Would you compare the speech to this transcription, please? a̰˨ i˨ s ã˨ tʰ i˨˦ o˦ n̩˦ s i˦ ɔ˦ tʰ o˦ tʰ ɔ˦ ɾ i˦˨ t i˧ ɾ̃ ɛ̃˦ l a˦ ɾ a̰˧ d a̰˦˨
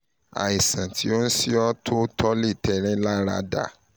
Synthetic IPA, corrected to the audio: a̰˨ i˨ s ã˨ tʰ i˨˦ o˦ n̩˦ s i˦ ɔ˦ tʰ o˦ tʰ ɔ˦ l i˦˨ t ɛ˧ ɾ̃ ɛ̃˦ l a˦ ɾ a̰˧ d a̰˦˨